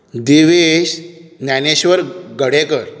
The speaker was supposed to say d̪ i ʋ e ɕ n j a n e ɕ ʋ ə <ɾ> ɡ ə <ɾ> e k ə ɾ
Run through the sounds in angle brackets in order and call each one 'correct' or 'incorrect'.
correct, incorrect

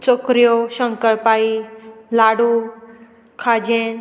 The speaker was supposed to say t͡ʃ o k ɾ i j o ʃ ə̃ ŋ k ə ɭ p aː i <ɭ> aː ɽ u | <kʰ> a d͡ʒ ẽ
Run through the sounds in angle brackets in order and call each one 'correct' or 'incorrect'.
incorrect, correct

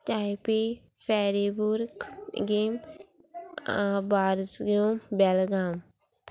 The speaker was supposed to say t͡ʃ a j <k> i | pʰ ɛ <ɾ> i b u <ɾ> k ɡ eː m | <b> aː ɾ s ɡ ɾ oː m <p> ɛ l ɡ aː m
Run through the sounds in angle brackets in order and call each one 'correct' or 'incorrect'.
incorrect, correct, correct, correct, incorrect

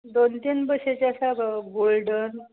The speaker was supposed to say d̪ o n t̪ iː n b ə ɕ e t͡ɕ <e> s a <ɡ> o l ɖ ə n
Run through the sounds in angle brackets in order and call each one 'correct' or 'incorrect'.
incorrect, correct

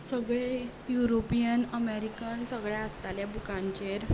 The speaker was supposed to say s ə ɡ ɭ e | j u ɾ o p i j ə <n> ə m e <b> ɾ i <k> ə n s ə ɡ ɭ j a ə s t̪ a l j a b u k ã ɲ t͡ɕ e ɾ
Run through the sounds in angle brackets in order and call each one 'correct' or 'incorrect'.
correct, incorrect, correct

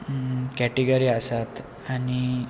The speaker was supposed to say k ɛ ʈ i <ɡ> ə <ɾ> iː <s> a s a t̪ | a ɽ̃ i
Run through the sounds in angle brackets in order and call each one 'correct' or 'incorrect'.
correct, correct, incorrect

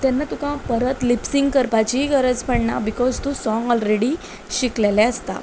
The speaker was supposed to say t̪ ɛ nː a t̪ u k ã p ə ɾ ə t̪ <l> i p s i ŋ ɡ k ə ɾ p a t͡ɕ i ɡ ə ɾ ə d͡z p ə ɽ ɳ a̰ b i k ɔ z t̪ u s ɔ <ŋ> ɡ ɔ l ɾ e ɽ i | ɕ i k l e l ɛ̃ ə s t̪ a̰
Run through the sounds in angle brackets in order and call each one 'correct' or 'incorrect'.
correct, correct

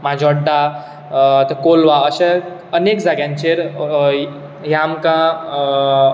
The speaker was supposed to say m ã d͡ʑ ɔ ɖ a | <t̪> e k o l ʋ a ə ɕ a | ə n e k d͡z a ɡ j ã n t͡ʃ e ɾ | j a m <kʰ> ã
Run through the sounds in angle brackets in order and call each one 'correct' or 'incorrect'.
correct, incorrect

